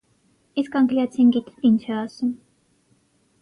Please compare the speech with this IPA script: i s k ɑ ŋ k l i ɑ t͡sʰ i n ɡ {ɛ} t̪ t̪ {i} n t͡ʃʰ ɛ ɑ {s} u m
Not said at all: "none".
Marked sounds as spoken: i, i, s

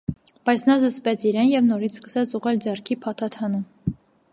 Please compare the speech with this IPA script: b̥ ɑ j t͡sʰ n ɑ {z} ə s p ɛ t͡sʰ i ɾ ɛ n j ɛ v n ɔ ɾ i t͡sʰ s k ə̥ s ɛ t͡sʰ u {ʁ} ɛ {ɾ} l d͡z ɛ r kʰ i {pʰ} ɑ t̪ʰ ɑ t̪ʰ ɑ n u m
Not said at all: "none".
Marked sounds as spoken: z, ʁ, none, pʰ

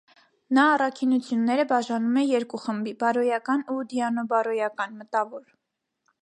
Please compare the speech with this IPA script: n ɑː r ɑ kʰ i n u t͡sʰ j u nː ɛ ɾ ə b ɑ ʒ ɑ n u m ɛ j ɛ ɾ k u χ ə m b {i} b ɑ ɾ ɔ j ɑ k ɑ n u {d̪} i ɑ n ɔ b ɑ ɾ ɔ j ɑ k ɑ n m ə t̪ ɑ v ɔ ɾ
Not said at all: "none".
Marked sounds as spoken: i, d̪

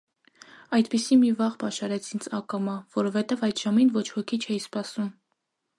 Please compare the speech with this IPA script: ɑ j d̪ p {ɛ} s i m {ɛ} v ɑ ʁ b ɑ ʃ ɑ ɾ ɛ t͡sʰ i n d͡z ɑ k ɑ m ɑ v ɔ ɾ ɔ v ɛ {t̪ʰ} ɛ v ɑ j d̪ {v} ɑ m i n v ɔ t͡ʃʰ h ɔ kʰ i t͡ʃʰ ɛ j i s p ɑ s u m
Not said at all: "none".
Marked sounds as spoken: i, i, t̪, ʒ

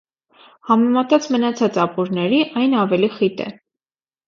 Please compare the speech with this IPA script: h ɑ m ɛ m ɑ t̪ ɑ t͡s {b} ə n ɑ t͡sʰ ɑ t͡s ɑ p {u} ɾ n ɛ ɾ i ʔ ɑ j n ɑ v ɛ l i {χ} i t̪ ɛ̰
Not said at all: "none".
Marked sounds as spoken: m, u, χ

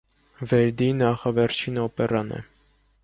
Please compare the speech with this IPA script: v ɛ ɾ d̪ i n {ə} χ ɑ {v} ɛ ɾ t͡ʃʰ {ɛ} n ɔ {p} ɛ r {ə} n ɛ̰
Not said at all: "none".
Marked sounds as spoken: ɑ, v, i, p, ɑ

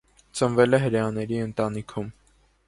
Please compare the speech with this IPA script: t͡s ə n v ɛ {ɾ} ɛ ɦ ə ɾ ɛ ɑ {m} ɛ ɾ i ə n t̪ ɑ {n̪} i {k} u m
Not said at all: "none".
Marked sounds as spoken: l, n, n̪, kʰ

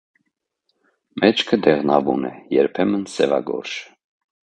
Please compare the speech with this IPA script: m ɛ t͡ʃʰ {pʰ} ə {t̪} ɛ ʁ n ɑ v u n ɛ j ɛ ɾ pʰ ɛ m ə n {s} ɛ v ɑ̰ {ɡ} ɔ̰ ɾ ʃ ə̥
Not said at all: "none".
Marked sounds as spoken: kʰ, d̪, s, ɡ

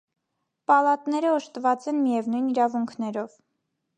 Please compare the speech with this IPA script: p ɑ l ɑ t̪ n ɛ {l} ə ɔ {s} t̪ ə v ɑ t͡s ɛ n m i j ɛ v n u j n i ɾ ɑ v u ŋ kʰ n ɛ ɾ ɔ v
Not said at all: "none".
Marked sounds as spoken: ɾ, ʃ

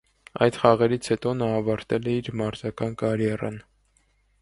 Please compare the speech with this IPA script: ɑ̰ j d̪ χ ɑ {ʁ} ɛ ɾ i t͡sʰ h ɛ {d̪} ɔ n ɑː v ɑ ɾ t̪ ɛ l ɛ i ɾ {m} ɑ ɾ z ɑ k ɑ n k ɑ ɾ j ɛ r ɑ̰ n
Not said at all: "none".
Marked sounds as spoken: ʁ, t̪, m

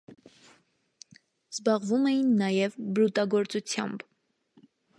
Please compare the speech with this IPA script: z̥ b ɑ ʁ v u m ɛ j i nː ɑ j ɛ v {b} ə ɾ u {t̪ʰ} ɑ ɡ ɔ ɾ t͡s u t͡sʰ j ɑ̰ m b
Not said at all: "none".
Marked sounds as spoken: b, t̪

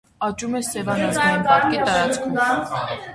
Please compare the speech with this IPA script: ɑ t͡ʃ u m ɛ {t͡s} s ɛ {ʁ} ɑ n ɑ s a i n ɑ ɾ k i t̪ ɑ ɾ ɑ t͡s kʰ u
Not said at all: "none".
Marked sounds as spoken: none, v

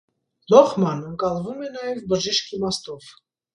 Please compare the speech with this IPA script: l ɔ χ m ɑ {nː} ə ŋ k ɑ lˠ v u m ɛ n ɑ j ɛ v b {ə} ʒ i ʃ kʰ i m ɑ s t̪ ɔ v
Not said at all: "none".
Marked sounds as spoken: n, ə

